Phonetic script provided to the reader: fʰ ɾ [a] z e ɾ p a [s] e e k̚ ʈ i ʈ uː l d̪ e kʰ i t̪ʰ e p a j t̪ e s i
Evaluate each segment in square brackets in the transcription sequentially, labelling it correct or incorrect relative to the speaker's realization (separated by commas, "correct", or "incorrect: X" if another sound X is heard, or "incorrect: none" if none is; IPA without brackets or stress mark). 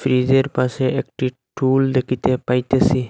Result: incorrect: i, correct